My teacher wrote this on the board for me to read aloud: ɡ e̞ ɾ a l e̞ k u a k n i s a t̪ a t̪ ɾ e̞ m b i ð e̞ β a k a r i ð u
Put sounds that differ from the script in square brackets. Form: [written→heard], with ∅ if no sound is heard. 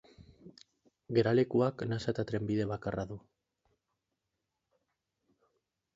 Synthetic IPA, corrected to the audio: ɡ e̞ ɾ a l e̞ k u a k n [i→a] s a t̪ a t̪ ɾ e̞ m b i ð e̞ β a k a r [i→a] ð u